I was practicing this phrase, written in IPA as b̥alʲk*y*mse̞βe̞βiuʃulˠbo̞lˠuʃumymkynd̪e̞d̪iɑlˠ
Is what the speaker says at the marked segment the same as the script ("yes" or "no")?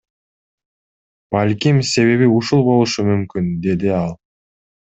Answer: no